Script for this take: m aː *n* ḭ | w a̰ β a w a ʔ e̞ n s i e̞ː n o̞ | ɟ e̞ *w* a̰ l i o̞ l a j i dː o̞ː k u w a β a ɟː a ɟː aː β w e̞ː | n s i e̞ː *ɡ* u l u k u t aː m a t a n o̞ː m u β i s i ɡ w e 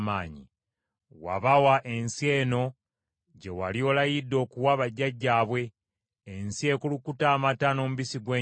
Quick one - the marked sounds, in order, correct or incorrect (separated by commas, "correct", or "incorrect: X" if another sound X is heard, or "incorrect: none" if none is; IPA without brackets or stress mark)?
incorrect: ɲ, correct, incorrect: k